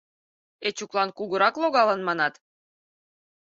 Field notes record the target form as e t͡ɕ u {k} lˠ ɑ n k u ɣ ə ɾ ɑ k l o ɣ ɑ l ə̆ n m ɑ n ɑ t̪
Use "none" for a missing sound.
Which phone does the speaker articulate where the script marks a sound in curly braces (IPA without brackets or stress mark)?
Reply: k